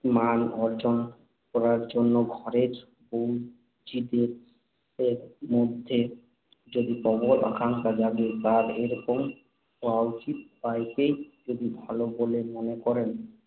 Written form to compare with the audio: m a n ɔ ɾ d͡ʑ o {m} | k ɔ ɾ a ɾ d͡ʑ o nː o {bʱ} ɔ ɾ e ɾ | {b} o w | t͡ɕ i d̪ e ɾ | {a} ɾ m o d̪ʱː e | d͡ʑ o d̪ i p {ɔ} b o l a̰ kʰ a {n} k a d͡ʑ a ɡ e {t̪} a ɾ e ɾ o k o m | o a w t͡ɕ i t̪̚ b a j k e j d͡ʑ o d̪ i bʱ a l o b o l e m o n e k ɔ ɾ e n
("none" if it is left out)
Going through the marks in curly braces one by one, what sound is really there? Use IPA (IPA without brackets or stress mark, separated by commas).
n, ɡʱ, b, e, ɔ, ŋ, t̪